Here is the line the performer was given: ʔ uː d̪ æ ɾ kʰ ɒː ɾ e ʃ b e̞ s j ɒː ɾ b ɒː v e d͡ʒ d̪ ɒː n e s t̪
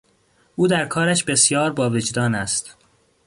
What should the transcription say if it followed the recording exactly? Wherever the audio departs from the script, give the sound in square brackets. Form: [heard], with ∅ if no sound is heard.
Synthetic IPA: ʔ uː d̪ æ ɾ kʰ ɒː ɾ [æ] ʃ b e̞ s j ɒː ɾ b ɒː v e d͡ʒ d̪ ɒː n [æ] s t̪